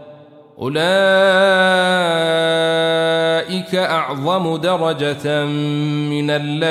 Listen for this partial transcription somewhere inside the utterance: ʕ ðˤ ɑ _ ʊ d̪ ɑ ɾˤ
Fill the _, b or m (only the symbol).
m